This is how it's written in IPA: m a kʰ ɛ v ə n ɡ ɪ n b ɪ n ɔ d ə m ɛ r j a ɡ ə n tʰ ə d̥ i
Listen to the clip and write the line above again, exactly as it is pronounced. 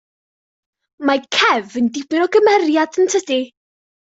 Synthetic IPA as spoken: m a kʰ ɛ v ə n d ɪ b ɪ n ɔ ɡ ə m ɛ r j a d ə n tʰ ə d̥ i